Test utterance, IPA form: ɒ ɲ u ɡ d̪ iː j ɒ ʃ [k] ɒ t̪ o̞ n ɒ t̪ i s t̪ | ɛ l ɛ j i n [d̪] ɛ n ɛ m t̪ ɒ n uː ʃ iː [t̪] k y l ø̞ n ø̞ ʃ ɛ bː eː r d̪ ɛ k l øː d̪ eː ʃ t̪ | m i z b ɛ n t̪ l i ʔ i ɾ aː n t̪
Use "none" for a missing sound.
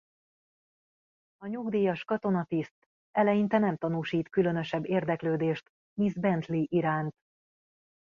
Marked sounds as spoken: k, t̪, t̪

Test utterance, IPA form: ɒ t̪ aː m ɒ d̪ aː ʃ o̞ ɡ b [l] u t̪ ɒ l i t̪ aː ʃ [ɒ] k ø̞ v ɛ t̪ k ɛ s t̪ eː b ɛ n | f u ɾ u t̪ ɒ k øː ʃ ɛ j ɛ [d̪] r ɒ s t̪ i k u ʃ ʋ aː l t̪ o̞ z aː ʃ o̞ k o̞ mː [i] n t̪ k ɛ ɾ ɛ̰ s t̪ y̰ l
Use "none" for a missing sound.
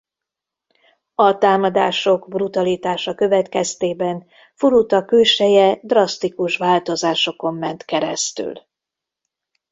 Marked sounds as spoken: r, ɒ, d̪, ɛ

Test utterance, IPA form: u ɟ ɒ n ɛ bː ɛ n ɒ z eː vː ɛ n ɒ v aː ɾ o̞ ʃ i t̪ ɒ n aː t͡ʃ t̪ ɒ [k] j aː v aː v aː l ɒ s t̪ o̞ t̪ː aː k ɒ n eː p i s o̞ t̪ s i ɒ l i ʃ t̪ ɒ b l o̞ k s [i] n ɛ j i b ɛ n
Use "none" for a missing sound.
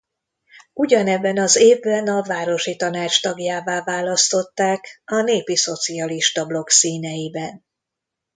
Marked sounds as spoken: ɡ, iː

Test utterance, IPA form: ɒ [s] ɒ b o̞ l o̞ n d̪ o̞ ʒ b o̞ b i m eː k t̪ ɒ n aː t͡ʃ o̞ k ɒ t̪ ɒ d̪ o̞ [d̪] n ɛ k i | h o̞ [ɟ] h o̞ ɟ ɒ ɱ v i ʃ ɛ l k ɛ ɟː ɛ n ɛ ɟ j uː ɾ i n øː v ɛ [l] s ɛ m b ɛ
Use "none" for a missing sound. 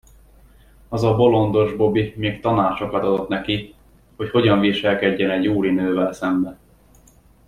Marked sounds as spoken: z, t̪, c, l

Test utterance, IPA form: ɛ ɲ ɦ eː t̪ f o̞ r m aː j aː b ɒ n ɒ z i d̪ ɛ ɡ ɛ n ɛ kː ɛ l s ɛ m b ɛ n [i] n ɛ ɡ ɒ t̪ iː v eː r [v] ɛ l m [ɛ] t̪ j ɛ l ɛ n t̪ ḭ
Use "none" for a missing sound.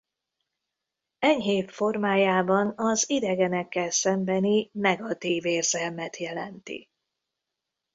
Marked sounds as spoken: i, z, ɛ

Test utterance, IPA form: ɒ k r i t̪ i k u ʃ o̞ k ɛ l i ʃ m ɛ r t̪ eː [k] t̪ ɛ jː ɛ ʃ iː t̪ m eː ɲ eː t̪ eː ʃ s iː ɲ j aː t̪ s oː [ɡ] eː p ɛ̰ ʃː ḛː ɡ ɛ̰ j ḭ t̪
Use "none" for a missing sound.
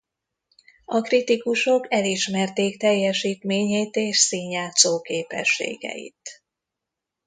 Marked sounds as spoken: k, k

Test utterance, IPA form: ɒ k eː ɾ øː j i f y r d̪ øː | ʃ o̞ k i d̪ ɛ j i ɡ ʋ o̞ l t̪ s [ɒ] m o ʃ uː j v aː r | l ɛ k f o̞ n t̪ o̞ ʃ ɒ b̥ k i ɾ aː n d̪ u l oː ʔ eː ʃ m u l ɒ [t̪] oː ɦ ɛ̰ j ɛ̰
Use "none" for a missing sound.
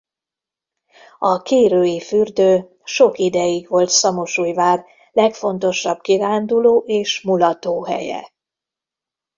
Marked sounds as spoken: ɒ, t̪

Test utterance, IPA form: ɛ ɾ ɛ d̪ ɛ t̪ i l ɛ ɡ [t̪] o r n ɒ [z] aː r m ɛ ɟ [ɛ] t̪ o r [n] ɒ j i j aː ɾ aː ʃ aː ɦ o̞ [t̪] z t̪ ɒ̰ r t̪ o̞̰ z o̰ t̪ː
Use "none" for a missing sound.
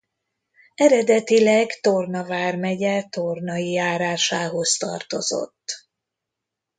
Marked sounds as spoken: t̪, v, ɛ, n, none

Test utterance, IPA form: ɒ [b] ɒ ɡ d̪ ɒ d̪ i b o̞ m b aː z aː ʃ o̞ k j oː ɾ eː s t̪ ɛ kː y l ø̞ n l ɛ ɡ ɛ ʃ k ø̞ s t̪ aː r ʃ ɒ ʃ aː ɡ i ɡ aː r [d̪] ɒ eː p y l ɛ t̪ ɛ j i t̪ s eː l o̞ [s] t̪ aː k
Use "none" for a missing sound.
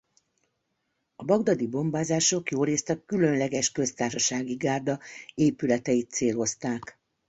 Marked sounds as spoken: b, d̪, s

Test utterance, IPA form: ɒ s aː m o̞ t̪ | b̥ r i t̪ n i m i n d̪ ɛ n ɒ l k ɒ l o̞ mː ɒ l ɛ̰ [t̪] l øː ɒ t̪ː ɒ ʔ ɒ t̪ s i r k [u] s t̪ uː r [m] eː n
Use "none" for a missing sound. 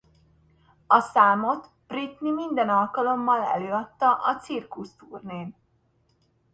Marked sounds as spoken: none, u, n

